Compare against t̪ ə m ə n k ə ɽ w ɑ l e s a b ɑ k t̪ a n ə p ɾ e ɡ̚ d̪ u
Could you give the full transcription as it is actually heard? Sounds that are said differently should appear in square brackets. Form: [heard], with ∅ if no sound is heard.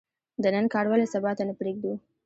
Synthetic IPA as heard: [d̪] ə [n] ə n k [ɑ] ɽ w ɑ l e s a b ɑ [∅] t̪ a n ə p ɾ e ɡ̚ d̪ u

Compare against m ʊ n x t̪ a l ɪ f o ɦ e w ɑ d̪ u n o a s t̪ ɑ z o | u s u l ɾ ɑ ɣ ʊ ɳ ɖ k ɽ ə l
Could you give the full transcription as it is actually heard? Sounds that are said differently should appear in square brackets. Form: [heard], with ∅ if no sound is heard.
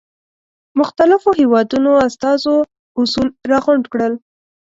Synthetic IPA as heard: m ʊ [∅] x t̪ a l ɪ f o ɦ e w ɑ d̪ u n o a s t̪ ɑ z o | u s u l ɾ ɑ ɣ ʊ ɳ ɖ k ɽ ə l

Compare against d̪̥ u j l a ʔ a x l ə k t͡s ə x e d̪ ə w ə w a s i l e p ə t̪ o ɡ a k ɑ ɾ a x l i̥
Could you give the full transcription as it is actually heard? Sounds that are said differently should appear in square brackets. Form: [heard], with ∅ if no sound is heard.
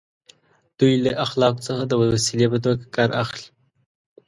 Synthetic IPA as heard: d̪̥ u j l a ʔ a x l [ɑ] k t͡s ə x [a] d̪ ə w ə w a s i l e p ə t̪ o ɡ a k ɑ ɾ a x l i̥

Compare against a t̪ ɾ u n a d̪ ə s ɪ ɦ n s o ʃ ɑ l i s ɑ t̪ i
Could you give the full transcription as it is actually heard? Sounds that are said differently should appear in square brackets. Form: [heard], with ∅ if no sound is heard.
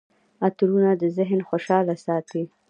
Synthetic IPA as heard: a t̪ ɾ u n a d̪ ə [z] ɪ ɦ n [x] o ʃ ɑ l [a] s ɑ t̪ i

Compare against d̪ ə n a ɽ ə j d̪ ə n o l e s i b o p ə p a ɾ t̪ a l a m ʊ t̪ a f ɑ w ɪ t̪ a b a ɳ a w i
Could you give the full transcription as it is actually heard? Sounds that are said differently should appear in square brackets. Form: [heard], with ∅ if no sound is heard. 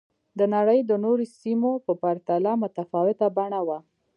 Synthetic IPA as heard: d̪ ə n a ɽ ə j d̪ ə n o [ɾ] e s i [m] o p ə p a ɾ t̪ a l a m ʊ t̪ a f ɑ w ɪ t̪ a b a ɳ a w [a]

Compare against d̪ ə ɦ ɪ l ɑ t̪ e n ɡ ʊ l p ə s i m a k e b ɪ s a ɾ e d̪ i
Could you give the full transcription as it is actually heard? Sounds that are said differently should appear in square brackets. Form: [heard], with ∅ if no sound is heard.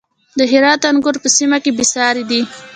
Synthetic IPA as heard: d̪ ə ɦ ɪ [ɾ] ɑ t̪ [a] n ɡ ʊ [ɾ] p ə s i m a k e b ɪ s [ɑ] ɾ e d̪ i

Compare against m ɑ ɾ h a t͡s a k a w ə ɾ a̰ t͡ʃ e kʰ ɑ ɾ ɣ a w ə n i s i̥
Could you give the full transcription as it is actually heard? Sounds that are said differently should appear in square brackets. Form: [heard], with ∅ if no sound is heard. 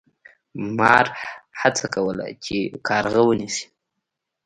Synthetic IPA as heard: m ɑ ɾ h a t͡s a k a w ə [l] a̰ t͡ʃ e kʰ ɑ ɾ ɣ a w ə n i s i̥

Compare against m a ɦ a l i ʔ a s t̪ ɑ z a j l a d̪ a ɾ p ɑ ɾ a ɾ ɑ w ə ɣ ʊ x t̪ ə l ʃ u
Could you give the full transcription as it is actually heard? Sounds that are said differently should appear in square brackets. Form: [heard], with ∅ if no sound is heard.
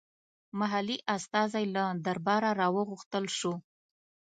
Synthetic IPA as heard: m a ɦ a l i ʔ a s t̪ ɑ z a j l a d̪ a ɾ [b] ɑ ɾ a ɾ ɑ w ə ɣ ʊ x t̪ ə l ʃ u

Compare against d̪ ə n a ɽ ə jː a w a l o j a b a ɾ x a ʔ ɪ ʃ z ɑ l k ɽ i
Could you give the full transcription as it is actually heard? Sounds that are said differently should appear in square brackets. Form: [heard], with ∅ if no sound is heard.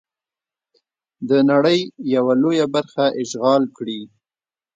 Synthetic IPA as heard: d̪ ə n a ɽ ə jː a w a l o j a b a ɾ x a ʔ ɪ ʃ [ɣ] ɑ l k ɽ i

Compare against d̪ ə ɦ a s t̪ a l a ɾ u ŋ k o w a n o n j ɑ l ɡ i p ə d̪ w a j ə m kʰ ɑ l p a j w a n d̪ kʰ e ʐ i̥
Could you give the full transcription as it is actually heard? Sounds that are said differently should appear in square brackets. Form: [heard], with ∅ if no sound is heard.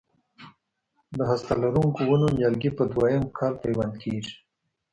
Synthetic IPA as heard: d̪ ə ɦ a s t̪ a l a ɾ u ŋ k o w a n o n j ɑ l ɡ i p ə d̪ w a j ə m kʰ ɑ l p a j w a n d̪ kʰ e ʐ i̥

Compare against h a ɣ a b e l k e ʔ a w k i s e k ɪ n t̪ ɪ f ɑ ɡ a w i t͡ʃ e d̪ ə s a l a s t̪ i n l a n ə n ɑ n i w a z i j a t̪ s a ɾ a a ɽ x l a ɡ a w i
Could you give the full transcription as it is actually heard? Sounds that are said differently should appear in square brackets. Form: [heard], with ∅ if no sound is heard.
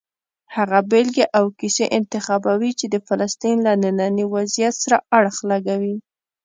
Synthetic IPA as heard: h a ɣ a b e l [ɡ] e ʔ a w k i s e [ʔ] ɪ n t̪ ɪ [x] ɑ [b] a w i t͡ʃ e d̪ ə [f] a l a s t̪ i n l a n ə n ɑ n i w a z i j a t̪ s a ɾ a a ɽ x l a ɡ a w i

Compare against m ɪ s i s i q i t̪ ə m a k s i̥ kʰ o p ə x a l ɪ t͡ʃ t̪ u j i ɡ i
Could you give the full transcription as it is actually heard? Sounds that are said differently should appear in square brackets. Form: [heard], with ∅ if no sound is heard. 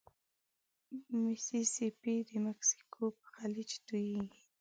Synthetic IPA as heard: m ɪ s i s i [p] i [d̪] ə m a k s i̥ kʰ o p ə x a l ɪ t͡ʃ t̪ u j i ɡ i

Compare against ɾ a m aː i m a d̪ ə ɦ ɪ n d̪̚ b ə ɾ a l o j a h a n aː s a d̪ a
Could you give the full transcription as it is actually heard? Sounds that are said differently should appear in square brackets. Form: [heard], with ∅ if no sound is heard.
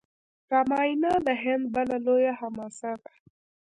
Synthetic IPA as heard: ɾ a m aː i [n] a d̪ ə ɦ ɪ n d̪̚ b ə [l] a l o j a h a [m] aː s a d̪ a

